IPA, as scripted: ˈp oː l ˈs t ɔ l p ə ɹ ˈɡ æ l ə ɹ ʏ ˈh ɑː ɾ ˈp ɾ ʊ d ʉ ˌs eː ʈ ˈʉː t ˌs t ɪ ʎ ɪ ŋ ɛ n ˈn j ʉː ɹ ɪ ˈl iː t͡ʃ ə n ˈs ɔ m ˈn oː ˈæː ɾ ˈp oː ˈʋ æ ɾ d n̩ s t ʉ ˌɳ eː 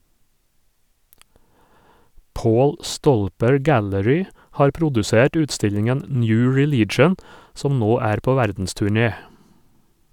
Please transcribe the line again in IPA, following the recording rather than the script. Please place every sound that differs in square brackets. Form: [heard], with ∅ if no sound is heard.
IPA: ˈp oː l ˈs t ɔ l p ə ɹ ˈɡ æ l ə ɹ ʏ ˈh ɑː ɾ ˈp ɾ ʊ d ʉ ˌs eː ʈ ˈʉː t ˌs t ɪ ʎ ɪ ŋ ɛ n ˈn j ʉː ɹ ɪ ˈl iː t͡ʃ ə n ˈs ɔ m ˈn oː ˈæː ɾ ˈp oː ˈʋ æ ɾ d n̩ s t ʉ ˌɳ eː